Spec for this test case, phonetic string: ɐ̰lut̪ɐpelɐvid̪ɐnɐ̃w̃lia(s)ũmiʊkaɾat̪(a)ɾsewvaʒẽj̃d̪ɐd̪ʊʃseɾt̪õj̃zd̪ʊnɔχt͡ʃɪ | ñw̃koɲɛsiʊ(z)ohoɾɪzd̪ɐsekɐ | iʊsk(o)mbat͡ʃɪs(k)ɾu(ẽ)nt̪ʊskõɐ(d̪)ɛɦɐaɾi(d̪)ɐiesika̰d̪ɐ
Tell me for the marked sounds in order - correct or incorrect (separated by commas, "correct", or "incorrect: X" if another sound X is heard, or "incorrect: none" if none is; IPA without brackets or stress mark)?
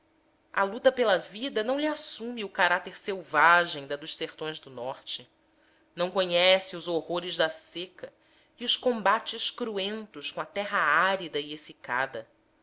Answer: correct, incorrect: e, correct, incorrect: õ, correct, correct, incorrect: t̪, correct